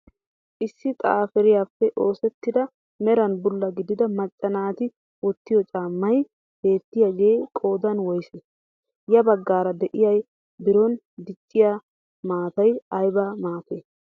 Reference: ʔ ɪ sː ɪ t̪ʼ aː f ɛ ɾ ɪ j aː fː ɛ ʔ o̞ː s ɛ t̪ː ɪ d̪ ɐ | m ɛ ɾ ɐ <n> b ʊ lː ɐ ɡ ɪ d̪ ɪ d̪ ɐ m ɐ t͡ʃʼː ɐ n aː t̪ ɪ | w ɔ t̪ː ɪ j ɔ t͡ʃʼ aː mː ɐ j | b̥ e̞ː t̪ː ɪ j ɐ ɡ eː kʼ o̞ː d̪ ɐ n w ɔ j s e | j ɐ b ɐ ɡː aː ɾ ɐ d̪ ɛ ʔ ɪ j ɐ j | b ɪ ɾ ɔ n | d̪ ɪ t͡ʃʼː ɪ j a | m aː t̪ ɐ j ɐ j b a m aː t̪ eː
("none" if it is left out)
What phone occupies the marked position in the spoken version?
n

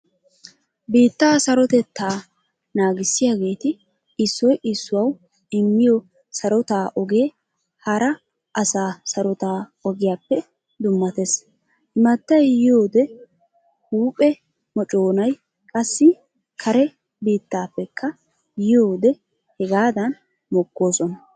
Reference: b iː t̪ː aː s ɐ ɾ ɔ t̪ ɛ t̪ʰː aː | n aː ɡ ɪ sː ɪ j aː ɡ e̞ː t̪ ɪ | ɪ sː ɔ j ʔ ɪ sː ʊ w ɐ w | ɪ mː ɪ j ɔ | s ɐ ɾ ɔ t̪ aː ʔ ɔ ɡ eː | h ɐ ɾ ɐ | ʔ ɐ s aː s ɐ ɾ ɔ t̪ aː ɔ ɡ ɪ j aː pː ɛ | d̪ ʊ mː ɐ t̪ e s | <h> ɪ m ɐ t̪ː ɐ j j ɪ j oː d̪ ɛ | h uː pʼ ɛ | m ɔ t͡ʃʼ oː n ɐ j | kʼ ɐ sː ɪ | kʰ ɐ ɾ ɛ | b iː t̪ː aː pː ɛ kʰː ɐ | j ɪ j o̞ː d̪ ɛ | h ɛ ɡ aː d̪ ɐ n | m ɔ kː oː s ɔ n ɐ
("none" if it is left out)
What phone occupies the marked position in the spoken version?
h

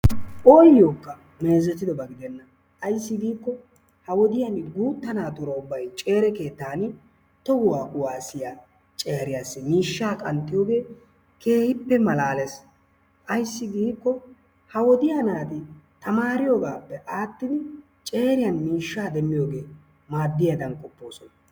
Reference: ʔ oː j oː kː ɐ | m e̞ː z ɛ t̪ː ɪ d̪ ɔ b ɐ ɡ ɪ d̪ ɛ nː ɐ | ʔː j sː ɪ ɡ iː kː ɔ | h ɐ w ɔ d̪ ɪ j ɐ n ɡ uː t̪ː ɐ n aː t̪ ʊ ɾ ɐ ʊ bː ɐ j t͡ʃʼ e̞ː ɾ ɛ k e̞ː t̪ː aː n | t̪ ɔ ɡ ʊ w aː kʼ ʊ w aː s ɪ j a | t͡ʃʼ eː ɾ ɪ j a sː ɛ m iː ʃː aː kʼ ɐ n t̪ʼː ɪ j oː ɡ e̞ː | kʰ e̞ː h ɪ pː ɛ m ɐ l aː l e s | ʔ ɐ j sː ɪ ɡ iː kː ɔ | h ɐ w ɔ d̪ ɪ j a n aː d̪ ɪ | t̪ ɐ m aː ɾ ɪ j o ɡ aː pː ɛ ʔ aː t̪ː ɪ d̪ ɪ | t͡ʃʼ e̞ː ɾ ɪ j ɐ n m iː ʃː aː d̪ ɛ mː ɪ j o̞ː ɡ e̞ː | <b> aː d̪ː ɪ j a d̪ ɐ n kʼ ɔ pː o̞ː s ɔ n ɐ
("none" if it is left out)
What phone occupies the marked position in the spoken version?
m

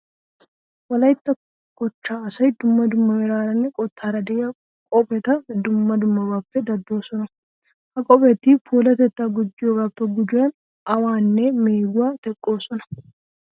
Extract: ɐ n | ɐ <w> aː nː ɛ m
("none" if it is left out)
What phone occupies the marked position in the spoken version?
w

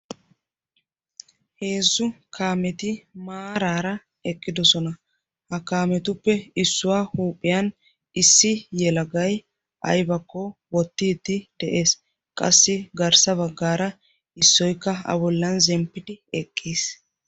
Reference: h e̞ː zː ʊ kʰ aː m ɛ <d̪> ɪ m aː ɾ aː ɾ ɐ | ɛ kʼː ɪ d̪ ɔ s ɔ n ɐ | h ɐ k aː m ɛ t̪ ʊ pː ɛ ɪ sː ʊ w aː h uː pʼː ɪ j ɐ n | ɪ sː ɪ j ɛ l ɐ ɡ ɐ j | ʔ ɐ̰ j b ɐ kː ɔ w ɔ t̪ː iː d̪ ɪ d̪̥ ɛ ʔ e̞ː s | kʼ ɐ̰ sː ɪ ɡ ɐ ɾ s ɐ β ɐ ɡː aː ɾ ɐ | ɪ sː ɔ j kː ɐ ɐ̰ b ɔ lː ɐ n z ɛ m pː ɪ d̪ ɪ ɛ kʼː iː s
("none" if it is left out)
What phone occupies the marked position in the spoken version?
t̪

